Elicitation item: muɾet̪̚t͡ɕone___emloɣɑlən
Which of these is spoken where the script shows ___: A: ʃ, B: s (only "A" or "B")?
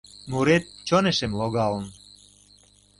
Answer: A